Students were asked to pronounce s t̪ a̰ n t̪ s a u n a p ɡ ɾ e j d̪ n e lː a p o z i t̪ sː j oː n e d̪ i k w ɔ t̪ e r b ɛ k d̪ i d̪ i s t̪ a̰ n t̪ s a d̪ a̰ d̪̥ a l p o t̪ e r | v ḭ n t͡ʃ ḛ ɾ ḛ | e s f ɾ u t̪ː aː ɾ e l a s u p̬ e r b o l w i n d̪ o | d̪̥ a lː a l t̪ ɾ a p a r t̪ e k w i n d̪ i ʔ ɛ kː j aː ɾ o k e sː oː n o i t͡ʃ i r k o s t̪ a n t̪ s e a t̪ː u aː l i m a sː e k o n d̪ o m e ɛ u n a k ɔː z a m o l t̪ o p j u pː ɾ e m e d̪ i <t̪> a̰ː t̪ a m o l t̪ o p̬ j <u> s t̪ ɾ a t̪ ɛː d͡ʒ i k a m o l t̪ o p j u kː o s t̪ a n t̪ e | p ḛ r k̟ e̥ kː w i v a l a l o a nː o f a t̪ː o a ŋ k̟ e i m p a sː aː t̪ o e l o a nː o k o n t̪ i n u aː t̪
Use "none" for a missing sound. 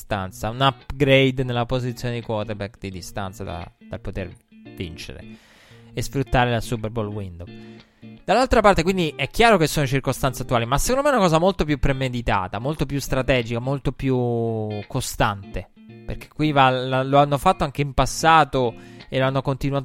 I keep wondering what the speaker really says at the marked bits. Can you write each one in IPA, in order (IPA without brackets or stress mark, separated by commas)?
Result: t̪, u